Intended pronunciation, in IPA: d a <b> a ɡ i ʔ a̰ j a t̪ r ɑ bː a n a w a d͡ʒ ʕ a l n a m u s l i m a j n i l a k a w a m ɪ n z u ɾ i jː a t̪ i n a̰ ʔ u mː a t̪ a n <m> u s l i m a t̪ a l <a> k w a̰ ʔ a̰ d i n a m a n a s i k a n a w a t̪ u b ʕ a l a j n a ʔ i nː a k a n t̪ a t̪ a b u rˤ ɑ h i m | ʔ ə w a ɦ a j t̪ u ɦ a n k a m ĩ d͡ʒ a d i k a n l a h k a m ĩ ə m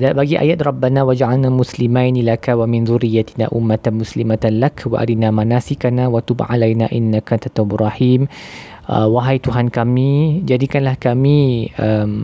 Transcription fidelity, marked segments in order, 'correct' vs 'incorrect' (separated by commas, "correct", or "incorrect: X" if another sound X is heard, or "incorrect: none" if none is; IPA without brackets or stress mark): correct, correct, correct